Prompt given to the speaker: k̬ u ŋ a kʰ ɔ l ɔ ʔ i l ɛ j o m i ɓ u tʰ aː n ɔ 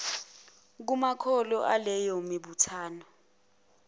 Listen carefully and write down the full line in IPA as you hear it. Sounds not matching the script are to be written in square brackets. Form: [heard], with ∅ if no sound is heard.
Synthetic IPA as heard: k̬ u [m] a kʰ ɔ l ɔ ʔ [a] l ɛ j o m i ɓ u tʰ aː n ɔ